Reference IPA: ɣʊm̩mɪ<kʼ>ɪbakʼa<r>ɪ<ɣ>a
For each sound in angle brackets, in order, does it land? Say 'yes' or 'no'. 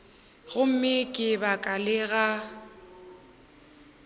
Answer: yes, no, yes

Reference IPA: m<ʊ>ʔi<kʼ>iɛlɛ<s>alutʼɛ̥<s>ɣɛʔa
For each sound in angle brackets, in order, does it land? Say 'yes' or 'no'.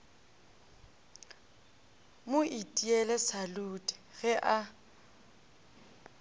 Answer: yes, no, yes, no

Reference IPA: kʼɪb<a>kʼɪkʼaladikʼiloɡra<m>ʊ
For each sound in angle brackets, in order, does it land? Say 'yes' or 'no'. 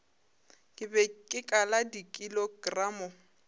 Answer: no, yes

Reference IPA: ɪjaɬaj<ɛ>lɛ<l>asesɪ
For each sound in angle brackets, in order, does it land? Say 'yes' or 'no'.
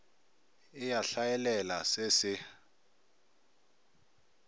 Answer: yes, yes

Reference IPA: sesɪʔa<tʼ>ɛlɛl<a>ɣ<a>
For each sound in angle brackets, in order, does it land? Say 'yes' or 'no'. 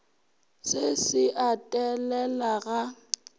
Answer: yes, yes, yes

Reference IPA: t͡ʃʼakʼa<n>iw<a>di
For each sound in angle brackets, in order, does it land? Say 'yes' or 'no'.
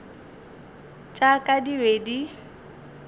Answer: no, no

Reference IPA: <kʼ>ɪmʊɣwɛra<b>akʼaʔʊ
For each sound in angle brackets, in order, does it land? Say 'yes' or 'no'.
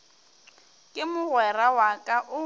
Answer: yes, no

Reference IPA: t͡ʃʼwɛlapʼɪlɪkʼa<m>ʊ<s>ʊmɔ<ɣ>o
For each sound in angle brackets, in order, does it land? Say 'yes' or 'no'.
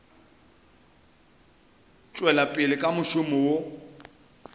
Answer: yes, no, no

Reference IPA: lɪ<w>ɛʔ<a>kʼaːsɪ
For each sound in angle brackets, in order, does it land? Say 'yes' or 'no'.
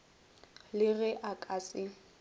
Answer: no, yes

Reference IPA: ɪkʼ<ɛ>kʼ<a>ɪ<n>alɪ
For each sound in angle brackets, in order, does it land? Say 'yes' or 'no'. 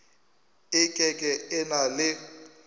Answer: yes, no, yes

